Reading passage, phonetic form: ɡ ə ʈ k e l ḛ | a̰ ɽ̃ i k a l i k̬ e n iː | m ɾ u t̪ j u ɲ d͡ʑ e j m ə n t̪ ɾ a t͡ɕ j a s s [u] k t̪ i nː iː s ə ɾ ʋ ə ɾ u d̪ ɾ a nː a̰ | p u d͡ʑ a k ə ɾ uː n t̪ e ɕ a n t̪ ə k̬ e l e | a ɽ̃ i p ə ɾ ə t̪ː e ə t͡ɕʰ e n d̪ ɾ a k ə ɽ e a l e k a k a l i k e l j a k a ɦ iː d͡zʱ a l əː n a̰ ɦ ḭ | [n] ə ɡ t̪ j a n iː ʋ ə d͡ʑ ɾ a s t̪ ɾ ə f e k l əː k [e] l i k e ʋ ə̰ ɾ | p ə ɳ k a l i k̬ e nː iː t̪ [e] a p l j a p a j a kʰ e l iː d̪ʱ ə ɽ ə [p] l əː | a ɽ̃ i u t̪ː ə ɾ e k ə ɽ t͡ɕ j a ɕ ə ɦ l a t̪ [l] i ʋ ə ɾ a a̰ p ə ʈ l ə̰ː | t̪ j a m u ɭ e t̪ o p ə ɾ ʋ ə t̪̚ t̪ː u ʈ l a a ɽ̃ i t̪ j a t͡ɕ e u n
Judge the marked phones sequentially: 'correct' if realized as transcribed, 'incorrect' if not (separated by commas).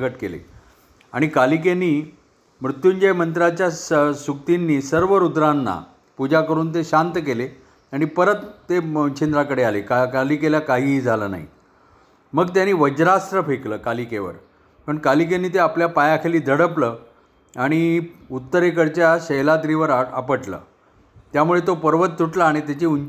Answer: correct, incorrect, incorrect, correct, correct, incorrect